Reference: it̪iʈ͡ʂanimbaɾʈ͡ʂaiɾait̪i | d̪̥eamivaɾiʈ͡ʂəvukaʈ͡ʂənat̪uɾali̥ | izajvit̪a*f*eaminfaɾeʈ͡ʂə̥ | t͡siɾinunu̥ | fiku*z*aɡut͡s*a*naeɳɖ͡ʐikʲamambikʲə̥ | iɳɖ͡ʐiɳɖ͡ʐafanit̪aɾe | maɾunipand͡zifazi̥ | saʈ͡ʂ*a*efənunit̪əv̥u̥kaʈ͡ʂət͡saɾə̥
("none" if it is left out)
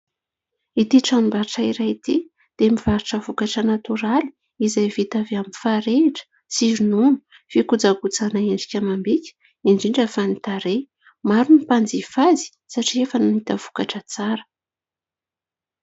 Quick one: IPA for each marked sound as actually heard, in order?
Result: v, d͡z, a, i

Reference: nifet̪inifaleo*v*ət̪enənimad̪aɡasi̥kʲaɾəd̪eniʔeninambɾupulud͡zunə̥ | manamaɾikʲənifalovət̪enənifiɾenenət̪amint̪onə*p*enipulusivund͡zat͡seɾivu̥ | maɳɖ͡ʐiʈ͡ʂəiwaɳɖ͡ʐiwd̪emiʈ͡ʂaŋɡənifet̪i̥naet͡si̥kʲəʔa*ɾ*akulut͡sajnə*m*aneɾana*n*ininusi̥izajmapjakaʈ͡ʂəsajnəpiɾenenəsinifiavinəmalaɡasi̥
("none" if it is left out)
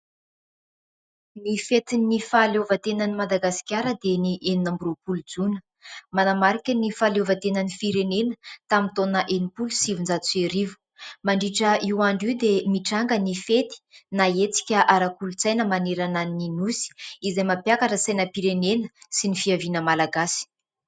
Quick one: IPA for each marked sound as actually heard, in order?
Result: v, ʔ, ɾ, m, n

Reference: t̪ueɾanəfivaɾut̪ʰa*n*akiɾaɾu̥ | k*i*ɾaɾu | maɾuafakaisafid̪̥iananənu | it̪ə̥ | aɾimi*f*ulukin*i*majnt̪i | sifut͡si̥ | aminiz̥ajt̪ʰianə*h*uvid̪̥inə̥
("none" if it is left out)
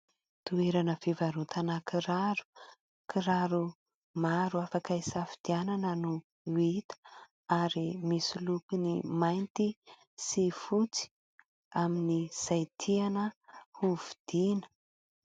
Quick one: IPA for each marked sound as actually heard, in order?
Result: n, i, s, i, h

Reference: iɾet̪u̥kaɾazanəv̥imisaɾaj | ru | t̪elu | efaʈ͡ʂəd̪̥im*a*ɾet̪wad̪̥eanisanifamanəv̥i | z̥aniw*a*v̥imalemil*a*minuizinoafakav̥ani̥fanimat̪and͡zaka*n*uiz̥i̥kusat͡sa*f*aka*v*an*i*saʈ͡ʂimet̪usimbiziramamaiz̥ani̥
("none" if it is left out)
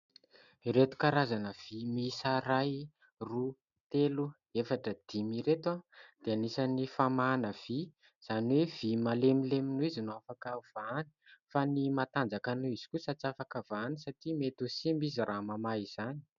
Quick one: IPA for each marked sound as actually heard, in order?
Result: i, e, e, n, f, v, i

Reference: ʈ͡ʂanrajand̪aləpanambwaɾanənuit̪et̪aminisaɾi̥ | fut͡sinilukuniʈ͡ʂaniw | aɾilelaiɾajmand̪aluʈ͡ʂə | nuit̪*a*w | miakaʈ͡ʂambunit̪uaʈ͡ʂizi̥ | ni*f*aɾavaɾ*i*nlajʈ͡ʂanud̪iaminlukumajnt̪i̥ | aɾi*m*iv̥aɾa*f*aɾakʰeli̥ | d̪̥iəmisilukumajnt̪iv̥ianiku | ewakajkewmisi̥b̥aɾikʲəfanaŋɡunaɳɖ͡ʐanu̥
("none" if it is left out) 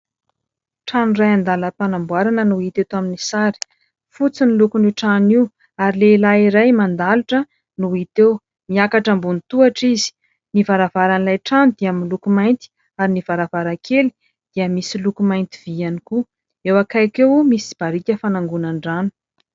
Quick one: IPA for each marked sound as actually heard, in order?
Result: e, v, a, n, v

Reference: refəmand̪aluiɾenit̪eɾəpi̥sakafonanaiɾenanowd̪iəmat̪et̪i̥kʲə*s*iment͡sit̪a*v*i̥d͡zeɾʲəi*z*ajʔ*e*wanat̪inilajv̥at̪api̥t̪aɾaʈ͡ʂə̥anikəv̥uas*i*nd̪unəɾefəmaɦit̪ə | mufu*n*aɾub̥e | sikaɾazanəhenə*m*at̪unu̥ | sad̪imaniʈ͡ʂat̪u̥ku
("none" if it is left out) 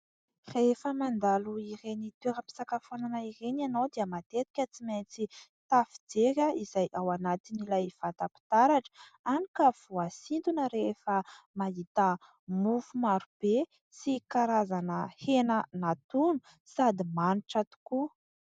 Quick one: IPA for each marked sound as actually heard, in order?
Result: t͡s, f, z, a, i, m, n

